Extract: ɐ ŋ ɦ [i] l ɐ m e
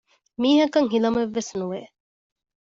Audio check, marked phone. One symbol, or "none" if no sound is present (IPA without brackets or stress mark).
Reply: i